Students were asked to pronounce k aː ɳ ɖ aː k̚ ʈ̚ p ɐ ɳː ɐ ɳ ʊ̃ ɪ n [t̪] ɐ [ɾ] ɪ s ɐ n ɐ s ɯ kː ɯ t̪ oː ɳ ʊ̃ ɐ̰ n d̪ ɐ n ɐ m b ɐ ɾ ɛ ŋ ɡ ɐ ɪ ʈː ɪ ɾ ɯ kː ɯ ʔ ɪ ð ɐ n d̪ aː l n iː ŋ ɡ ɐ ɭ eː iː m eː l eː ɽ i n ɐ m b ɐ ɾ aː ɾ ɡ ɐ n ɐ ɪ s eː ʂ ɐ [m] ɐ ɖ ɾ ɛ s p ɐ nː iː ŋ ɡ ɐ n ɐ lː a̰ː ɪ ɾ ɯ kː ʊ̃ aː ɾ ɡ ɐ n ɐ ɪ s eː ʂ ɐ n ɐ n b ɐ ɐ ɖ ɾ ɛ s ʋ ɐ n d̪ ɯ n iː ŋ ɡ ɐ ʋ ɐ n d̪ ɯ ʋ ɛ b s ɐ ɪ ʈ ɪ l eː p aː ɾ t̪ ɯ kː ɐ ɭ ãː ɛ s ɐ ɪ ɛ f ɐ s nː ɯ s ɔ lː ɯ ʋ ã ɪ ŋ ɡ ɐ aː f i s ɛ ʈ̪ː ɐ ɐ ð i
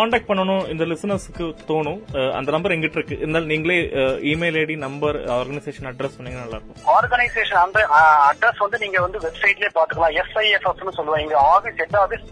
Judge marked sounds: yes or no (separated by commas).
no, no, no